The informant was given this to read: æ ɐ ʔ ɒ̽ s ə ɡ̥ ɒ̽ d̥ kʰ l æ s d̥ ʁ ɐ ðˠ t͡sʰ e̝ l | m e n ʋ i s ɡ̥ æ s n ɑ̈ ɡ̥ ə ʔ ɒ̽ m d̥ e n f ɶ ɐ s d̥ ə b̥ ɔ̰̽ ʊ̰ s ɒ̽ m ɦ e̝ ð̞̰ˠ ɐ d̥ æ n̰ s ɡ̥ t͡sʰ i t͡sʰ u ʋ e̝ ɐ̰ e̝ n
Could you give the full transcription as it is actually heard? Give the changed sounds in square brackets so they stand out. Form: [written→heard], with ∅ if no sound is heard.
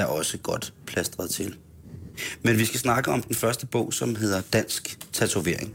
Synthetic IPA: æ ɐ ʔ ɒ̽ s ə ɡ̥ ɒ̽ d̥ [kʰ→pʰ] l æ s d̥ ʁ ɐ ðˠ t͡sʰ e̝ l | m e n ʋ i s ɡ̥ æ s n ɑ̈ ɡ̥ ə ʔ ɒ̽ m d̥ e n f ɶ ɐ s d̥ ə b̥ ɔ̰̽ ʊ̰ s ɒ̽ m ɦ e̝ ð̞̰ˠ ɐ d̥ æ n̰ s ɡ̥ t͡sʰ [i→æ] t͡sʰ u ʋ e̝ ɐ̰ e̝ [n→ŋ]